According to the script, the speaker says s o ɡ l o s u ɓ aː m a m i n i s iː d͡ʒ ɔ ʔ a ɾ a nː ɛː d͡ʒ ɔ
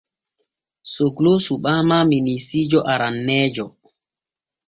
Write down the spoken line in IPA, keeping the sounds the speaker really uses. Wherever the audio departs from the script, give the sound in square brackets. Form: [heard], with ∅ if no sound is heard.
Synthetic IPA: s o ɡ l o s u ɓ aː m a m i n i s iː d͡ʒ ɔ ʔ a ɾ a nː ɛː d͡ʒ ɔ